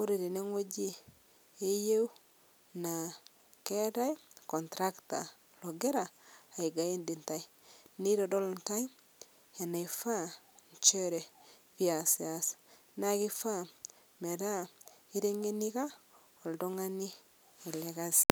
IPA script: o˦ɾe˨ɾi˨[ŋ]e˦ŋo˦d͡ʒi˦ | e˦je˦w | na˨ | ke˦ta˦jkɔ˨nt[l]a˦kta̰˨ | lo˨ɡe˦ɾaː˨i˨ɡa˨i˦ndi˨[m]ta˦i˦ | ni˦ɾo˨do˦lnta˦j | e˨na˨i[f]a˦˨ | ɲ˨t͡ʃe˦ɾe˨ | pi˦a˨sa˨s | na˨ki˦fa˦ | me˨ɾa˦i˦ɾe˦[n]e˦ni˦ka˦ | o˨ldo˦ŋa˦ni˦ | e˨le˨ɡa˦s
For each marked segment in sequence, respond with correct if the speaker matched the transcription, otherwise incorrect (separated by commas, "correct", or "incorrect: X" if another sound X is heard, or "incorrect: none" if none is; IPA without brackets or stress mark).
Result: incorrect: n, incorrect: ɾ, incorrect: n, correct, incorrect: ŋ